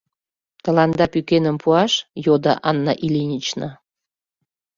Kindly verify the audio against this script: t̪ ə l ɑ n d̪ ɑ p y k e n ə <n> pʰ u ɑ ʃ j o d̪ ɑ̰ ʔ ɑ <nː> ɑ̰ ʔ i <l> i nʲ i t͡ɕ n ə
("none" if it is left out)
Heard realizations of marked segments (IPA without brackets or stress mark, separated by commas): m, nː, l